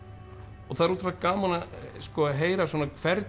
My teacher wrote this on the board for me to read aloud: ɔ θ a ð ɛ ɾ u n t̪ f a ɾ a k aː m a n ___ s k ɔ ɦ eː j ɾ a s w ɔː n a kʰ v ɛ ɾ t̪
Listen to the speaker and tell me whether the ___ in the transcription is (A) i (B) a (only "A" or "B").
B